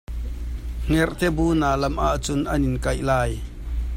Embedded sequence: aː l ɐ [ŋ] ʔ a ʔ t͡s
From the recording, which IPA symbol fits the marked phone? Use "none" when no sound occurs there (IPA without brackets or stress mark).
m